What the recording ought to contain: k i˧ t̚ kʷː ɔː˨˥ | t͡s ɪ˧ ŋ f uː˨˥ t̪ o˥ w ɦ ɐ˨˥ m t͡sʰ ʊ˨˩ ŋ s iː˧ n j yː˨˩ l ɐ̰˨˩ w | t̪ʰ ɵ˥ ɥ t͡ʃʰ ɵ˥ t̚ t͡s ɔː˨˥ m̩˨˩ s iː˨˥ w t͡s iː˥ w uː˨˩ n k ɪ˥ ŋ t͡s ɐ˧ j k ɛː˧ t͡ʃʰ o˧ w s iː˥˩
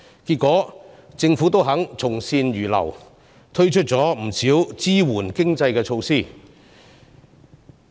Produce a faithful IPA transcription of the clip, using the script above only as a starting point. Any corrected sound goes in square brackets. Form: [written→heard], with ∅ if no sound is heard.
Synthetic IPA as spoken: k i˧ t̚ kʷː ɔː˨˥ | t͡s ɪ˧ ŋ f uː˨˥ t̪ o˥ w ɦ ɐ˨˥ [m→ŋ] t͡sʰ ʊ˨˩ ŋ s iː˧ n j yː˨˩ l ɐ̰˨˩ w | t̪ʰ ɵ˥ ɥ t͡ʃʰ ɵ˥ t̚ t͡s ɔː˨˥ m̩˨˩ s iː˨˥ w t͡s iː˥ w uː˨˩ n k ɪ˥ ŋ t͡s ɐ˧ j k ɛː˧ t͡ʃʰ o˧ w s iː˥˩